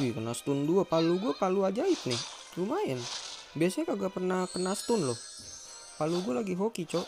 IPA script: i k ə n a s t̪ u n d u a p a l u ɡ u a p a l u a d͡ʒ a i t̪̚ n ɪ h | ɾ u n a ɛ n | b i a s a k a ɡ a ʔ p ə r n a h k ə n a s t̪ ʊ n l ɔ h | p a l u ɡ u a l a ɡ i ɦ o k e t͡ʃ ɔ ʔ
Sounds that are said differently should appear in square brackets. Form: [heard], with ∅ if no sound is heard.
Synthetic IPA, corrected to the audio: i k ə n a s t̪ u n d u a p a l u ɡ u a p a l u a d͡ʒ a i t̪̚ n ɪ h | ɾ u [m] a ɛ n | b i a s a k a ɡ a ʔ p ə r n a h k ə n a s t̪ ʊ n l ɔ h | p a l u ɡ u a l a ɡ i ɦ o k [i] t͡ʃ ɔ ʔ